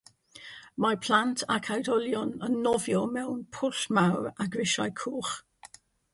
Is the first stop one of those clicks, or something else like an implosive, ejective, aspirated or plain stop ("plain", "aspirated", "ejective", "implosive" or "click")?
aspirated